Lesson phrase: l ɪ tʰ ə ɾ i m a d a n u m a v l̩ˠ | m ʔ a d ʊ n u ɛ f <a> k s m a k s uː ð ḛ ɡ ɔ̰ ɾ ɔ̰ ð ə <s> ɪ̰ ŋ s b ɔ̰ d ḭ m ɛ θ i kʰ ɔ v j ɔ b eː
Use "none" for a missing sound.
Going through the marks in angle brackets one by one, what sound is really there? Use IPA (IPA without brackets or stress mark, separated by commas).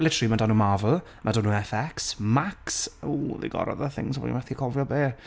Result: ɛ, θ